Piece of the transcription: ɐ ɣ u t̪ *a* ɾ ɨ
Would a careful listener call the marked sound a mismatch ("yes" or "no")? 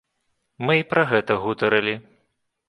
yes